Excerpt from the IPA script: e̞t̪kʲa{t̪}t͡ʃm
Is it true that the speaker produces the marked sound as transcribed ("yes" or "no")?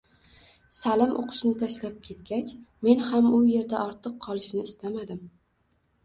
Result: no